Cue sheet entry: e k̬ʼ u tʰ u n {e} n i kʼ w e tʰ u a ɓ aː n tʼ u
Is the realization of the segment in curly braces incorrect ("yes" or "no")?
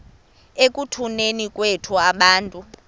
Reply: no